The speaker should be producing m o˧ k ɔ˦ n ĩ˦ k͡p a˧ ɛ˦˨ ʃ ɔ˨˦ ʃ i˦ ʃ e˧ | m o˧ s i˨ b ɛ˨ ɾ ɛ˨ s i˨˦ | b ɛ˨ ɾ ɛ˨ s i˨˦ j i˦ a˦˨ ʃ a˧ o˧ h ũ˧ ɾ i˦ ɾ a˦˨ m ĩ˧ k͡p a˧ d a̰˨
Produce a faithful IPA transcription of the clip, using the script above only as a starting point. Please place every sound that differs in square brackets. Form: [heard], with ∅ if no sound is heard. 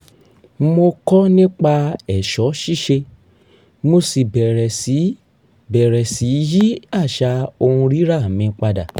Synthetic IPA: m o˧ k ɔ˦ n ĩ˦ k͡p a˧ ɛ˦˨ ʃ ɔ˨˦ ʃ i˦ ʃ e˧ | m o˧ s i˨ b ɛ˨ ɾ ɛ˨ s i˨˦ | b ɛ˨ ɾ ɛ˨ s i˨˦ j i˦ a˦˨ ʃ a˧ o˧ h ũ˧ ɾ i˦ ɾ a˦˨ m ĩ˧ k͡p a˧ d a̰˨